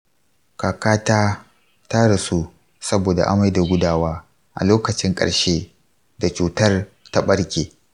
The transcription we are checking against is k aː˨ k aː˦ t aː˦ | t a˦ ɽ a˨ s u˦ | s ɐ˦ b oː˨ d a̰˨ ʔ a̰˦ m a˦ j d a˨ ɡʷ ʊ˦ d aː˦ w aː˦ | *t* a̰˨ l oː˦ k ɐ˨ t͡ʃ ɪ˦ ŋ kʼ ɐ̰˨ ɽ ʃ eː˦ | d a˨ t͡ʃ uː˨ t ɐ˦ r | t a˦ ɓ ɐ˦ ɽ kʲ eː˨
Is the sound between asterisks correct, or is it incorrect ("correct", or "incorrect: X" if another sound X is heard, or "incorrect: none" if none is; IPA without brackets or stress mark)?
incorrect: ʔ